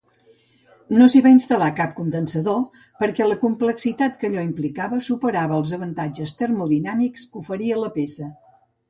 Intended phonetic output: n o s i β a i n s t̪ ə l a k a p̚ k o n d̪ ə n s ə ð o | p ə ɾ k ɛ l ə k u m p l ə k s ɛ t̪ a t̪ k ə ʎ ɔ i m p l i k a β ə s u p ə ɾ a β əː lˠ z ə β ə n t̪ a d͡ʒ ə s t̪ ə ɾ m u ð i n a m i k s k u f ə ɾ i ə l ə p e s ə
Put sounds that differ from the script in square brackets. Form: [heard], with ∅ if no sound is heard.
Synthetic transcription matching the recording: n o s i β a i n s t̪ ə l a k a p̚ k [u] n d̪ ə n s ə ð o | p ə ɾ k ɛ l ə k u m p l ə k s [i] t̪ a t̪ k ə ʎ ɔ i m p l i k a β ə s u p ə ɾ a β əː lˠ z ə β ə n t̪ a d͡ʒ ə s t̪ ə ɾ m u ð i n a m i k s k u f ə ɾ i ə l ə p e s ə